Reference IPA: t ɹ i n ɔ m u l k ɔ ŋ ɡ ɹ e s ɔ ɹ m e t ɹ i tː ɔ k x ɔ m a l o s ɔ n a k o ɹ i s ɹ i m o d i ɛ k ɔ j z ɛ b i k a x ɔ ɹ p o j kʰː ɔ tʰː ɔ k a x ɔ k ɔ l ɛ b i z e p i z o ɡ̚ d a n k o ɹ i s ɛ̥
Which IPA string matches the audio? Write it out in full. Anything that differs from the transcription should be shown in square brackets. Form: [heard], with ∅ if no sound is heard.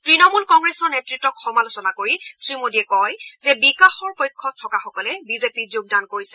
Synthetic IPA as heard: t ɹ i n ɔ m u l k ɔ ŋ ɡ ɹ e s ɔ ɹ [n] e t ɹ i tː ɔ k x ɔ m a l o s ɔ n a k o ɹ i s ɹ i m o d i ɛ k ɔ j z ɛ b i k a x ɔ ɹ p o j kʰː ɔ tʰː ɔ k a x ɔ k ɔ l ɛ b i z e p i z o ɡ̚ d a n k o ɹ i s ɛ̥